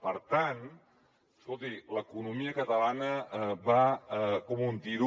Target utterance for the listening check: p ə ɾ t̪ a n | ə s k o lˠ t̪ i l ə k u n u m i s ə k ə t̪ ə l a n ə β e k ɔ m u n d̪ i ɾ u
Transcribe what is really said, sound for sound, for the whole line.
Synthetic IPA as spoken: p ə ɾ t̪ a n | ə s k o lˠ t̪ i l ə k u n u m i ə k ə t̪ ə l a n ə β a k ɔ m u n t̪ i ɾ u